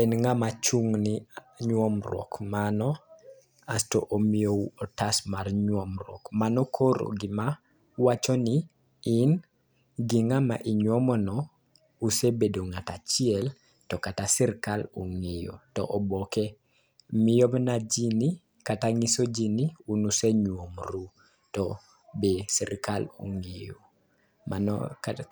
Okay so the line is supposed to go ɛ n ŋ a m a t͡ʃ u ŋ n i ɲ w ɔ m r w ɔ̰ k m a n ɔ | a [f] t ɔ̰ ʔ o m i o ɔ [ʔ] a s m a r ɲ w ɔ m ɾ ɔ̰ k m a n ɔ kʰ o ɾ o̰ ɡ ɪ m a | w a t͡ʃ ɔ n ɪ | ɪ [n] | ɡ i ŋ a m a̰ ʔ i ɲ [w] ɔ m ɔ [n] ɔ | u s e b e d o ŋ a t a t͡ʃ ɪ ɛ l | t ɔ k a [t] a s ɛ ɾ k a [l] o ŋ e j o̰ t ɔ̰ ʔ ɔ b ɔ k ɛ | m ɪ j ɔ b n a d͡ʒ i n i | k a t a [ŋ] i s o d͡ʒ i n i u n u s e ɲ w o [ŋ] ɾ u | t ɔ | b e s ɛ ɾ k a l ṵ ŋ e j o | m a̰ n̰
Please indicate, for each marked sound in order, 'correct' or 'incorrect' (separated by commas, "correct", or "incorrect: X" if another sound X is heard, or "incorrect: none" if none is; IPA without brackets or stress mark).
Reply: incorrect: s, incorrect: t, correct, correct, correct, correct, correct, correct, incorrect: m